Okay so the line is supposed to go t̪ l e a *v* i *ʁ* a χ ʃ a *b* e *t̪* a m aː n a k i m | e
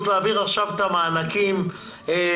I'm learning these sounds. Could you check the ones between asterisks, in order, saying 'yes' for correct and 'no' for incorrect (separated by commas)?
yes, yes, no, yes